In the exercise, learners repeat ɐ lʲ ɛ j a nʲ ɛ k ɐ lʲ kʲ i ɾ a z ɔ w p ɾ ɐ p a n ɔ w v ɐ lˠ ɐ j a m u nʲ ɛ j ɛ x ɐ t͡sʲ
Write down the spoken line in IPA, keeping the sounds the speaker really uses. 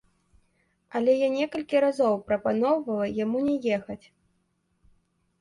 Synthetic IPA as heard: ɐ lʲ ɛ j a nʲ ɛ k ɐ lʲ kʲ i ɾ a z ɔ w p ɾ ɐ p a n ɔ w v ɐ lˠ ɐ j a m u nʲ ɛ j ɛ x ɐ t͡sʲ